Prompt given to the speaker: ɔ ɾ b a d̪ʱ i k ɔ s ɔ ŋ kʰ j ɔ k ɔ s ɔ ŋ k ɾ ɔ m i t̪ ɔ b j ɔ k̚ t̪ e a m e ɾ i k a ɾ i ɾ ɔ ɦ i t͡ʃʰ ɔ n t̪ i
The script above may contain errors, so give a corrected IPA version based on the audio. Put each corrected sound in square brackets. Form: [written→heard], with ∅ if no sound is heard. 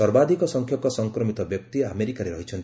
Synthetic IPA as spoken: ɔ ɾ b a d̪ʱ i k ɔ s ɔ ŋ kʰ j ɔ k ɔ s ɔ ŋ k ɾ ɔ m i t̪ ɔ b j ɔ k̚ t̪ [e→i] a m e ɾ i k a ɾ [i→e] ɾ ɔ ɦ i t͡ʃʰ ɔ n t̪ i